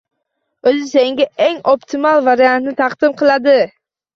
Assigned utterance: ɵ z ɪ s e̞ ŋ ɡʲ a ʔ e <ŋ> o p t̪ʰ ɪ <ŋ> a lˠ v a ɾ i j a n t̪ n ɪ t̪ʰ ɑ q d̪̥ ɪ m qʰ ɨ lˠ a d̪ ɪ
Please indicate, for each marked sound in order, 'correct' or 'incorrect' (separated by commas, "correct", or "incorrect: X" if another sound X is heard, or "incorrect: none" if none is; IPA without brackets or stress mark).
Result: correct, incorrect: m